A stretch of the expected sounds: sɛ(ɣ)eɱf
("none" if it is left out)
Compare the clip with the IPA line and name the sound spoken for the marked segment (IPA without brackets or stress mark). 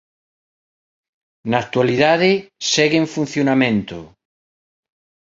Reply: ɣ